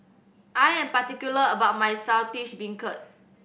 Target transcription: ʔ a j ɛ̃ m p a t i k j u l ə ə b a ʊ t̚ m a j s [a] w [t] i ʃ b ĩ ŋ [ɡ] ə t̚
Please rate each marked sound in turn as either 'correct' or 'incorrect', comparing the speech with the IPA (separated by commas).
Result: correct, correct, incorrect